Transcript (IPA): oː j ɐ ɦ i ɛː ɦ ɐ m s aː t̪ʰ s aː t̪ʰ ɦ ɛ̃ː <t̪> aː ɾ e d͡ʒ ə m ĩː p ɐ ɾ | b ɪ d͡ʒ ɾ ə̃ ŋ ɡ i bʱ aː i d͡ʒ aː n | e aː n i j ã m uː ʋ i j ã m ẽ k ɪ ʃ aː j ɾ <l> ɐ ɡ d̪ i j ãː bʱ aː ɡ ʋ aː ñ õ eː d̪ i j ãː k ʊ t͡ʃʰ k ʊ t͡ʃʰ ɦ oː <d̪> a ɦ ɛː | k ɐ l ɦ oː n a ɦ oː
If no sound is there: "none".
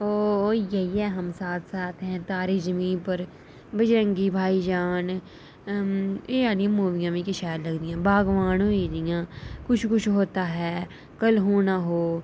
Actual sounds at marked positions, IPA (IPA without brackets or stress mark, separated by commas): t̪, l, t̪